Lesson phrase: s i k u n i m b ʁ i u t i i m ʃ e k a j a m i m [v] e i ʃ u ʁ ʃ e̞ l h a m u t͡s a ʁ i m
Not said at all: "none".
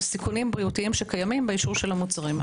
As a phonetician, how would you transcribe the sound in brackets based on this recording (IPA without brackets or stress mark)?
b